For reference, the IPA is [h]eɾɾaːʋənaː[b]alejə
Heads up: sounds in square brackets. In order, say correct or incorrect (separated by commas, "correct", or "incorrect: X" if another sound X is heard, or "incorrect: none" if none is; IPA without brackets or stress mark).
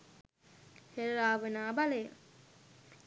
correct, correct